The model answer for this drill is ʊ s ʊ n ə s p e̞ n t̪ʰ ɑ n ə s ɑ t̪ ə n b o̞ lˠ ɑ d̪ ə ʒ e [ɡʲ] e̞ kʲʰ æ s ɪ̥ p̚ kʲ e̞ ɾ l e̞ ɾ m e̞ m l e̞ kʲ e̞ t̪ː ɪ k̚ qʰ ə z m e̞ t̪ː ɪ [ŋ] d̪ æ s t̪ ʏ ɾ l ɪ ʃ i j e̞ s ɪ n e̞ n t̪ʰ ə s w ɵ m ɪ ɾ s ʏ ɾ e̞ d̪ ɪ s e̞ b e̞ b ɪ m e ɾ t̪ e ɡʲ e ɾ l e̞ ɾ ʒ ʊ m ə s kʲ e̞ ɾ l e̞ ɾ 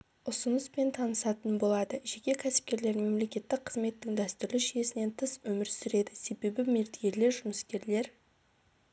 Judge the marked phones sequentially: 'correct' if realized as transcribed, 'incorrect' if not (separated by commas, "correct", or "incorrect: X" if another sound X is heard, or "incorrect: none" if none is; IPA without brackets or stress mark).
incorrect: kʲ, correct